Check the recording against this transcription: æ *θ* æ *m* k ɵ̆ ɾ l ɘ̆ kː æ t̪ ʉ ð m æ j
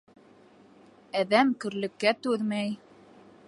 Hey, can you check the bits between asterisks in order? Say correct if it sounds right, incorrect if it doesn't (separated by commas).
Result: incorrect, correct